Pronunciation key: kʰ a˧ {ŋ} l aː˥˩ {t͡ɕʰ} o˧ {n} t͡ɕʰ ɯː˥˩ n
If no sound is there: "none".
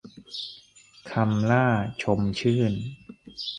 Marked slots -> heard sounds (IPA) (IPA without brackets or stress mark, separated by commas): m, t͡ɕʰ, m